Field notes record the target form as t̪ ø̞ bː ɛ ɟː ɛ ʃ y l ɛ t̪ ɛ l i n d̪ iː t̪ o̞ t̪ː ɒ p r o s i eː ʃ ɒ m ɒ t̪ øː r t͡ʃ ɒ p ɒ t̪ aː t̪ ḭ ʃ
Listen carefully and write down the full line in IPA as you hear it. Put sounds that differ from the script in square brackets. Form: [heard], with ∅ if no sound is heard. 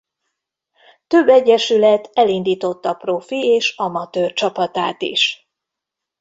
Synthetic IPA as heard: t̪ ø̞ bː ɛ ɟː ɛ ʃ y l ɛ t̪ ɛ l i n d̪ iː t̪ o̞ t̪ː ɒ p r o [f] i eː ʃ ɒ m ɒ t̪ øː r t͡ʃ ɒ p ɒ t̪ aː t̪ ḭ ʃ